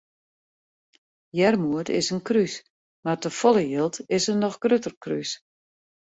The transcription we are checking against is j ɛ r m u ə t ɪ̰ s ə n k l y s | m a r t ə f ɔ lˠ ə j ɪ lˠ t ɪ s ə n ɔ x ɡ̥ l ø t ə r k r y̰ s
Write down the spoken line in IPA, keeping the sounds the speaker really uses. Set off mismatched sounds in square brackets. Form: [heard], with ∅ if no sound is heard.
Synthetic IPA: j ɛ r m u ə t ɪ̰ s ə n k [r] y s | m a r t ə f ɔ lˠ ə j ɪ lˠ t ɪ s ə n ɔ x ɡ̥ [r] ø t ə r k r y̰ s